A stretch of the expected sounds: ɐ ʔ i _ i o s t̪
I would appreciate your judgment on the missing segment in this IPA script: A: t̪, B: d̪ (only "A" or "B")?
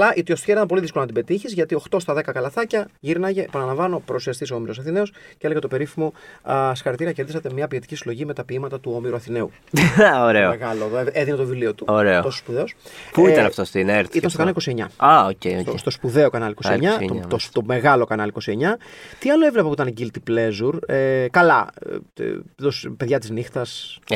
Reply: A